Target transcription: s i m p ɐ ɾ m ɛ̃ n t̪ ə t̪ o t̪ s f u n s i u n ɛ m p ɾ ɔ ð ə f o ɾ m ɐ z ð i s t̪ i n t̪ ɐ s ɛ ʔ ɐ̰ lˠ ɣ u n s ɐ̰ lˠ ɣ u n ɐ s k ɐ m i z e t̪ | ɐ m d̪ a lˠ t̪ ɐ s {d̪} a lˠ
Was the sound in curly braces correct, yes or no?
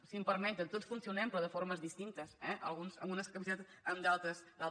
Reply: yes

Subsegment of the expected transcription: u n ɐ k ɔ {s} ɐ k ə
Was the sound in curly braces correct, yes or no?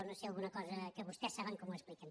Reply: no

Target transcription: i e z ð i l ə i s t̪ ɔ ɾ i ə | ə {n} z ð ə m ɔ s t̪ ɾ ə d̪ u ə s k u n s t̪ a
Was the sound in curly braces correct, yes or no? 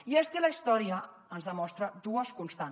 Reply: yes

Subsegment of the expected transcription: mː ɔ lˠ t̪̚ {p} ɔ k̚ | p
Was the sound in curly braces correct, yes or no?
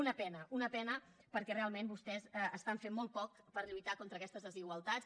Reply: yes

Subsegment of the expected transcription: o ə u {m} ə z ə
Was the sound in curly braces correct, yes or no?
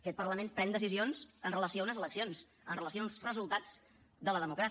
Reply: no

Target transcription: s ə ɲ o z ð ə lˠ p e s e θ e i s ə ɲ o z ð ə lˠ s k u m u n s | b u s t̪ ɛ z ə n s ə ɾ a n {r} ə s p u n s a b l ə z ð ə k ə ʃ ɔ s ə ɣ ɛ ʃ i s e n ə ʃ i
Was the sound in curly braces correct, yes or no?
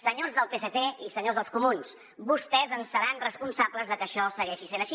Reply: yes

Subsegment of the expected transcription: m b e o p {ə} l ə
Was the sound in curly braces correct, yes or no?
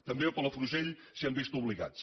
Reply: yes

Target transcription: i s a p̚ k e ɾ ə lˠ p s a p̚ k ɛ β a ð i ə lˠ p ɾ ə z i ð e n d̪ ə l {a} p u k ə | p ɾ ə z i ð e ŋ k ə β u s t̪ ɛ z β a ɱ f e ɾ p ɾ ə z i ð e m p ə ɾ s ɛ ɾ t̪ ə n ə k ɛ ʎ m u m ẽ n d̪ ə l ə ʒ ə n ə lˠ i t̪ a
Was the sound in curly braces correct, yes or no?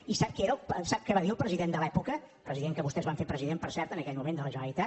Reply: no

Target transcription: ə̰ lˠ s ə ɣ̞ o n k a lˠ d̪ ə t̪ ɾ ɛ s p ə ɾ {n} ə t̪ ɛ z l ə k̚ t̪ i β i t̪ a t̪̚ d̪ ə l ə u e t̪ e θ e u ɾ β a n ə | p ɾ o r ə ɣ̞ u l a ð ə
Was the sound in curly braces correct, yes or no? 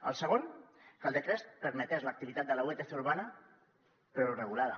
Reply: no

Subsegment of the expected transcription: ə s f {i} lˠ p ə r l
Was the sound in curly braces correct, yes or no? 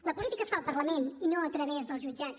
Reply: no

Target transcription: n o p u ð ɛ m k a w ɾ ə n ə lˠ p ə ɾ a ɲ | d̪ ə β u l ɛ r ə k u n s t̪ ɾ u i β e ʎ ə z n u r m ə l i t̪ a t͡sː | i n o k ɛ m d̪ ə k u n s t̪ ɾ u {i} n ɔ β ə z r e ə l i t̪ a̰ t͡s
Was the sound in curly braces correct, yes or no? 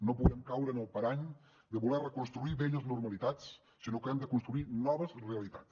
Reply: yes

